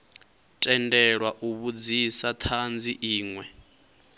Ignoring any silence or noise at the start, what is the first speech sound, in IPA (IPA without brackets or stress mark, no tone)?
tʼ